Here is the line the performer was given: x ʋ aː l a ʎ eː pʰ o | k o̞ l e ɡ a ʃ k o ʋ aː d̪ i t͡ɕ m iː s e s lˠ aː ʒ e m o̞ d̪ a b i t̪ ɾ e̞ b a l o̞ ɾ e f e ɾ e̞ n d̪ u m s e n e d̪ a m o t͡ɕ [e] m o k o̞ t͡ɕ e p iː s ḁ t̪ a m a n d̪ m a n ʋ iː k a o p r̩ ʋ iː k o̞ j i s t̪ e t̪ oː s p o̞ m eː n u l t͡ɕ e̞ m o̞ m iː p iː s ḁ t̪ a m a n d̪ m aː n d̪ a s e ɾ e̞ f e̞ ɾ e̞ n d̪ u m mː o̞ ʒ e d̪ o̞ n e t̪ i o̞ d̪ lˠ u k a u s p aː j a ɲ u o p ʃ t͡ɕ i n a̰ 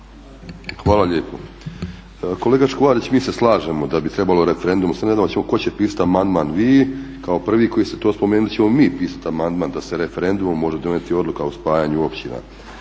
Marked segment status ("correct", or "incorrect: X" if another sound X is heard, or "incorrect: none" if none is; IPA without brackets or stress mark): correct